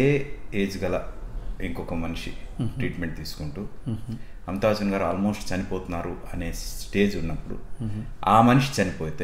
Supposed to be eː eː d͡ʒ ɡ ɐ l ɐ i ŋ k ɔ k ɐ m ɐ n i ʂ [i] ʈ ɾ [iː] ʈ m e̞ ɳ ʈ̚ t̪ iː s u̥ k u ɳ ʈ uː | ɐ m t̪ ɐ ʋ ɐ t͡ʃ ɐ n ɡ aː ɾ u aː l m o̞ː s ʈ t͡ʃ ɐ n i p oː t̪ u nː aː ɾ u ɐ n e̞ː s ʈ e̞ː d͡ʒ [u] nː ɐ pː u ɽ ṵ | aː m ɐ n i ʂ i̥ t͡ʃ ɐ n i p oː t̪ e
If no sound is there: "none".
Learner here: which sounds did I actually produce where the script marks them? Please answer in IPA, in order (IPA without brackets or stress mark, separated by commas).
i, iː, u